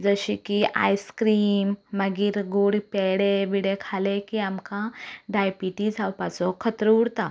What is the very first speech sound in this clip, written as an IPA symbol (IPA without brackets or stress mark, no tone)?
d͡z